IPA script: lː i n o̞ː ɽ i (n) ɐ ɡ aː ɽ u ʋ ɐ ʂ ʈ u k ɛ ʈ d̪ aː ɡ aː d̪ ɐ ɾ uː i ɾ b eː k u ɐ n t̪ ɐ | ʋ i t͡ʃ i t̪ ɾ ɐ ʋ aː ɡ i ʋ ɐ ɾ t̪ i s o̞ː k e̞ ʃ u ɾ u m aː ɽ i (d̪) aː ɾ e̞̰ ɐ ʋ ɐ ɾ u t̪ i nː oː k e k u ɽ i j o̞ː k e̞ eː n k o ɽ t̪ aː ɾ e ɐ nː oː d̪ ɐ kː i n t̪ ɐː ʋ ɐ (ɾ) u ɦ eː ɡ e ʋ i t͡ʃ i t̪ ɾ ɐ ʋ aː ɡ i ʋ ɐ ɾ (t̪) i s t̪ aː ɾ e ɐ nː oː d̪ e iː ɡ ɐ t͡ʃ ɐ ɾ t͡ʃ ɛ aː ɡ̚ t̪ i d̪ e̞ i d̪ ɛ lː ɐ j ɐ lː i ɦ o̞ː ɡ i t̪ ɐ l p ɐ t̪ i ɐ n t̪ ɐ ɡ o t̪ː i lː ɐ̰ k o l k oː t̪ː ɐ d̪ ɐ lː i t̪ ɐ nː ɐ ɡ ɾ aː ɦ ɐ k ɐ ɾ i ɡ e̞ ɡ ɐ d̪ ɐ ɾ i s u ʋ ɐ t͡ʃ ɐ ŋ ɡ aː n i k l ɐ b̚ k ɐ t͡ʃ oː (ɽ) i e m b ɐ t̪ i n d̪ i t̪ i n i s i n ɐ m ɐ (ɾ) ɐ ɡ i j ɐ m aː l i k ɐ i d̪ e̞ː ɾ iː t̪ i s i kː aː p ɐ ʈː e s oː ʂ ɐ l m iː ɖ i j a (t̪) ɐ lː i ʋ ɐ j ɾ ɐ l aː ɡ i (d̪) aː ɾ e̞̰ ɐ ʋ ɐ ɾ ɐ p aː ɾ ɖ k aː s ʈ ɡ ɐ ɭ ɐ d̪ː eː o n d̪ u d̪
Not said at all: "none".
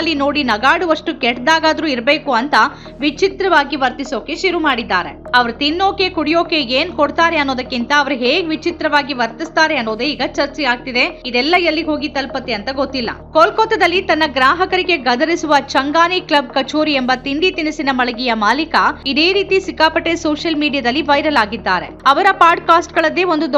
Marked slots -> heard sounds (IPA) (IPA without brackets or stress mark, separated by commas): n, d̪ː, ɾ, t̪, ɾ, ɭ, d̪, d̪ː